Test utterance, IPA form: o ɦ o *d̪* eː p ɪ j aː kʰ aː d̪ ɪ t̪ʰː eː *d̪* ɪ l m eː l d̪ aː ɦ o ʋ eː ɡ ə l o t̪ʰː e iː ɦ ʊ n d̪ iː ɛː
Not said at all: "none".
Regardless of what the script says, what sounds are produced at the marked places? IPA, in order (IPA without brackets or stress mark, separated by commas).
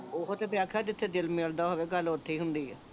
t̪, d̪